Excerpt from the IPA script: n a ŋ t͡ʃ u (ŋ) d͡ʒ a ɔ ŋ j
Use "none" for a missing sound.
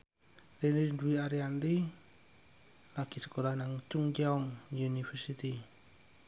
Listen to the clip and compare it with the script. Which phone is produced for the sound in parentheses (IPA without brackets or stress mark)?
ŋ